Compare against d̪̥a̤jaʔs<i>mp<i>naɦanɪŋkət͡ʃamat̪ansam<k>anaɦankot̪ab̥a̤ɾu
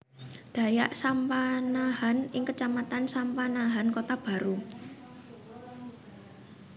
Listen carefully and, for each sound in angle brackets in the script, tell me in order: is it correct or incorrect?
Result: incorrect: a, incorrect: a, incorrect: p

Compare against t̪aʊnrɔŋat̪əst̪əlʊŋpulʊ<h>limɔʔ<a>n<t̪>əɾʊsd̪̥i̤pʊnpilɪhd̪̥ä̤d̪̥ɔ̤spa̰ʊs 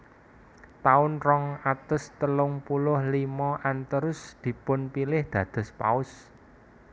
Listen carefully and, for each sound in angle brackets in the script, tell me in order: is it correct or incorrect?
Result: correct, correct, correct

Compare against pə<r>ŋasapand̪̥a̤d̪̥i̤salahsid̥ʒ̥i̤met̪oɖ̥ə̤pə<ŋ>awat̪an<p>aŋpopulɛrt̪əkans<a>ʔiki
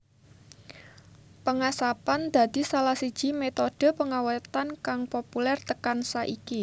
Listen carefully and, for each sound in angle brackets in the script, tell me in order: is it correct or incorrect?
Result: incorrect: none, correct, incorrect: k, correct

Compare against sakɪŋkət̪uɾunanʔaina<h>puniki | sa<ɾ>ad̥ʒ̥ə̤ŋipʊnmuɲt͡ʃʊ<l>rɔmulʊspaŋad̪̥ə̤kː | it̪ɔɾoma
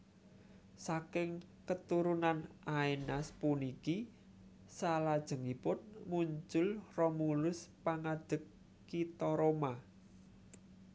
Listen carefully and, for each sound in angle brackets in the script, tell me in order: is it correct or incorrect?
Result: incorrect: s, incorrect: l, correct

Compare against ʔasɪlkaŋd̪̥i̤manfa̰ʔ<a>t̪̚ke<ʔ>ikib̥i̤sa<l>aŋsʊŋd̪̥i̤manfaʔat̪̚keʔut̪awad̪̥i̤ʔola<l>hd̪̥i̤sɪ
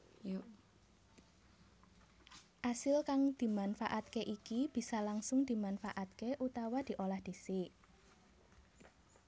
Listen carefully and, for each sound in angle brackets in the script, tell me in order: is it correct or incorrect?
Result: correct, correct, correct, incorrect: none

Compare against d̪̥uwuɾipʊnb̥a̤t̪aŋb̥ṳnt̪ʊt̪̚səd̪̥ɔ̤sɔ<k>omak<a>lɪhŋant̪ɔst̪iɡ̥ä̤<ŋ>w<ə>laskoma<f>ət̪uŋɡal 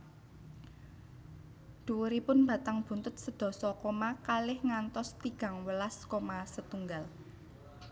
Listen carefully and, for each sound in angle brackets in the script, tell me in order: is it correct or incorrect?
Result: correct, correct, correct, correct, incorrect: s

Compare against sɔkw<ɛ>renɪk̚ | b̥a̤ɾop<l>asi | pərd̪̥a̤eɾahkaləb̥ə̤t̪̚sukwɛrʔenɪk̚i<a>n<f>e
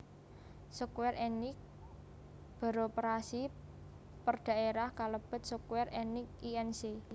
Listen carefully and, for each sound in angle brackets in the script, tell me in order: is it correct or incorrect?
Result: correct, incorrect: ɾ, incorrect: ɛ, incorrect: s

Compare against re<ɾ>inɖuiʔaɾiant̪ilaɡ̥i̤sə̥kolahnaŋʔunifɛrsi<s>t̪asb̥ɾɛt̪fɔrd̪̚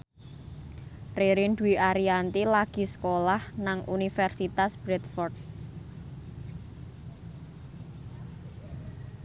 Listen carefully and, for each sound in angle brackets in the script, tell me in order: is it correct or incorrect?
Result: correct, incorrect: none

